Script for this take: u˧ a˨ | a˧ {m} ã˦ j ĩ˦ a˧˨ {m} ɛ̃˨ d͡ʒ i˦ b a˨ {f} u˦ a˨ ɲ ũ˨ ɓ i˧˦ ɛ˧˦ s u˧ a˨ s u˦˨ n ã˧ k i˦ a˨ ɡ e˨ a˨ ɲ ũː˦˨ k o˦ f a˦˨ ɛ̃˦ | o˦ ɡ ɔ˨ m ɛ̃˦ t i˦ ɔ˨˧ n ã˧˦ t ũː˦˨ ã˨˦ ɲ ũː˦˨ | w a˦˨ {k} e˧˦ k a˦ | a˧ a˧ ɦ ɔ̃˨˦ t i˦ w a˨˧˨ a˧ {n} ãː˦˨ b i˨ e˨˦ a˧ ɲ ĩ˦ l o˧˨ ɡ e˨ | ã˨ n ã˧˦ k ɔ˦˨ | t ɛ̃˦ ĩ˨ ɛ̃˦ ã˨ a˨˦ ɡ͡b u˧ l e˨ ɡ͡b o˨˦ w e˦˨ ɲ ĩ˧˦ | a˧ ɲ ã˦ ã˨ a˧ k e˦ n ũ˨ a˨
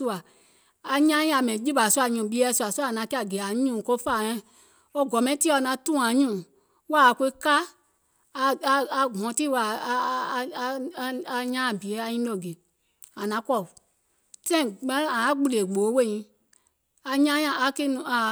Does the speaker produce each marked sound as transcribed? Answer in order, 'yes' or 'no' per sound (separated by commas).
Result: no, yes, no, yes, no